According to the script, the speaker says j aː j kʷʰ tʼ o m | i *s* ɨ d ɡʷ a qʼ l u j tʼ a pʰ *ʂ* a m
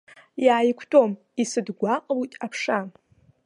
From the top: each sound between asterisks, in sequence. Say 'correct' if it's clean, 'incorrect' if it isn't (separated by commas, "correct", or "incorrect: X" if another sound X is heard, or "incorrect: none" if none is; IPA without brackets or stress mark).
correct, correct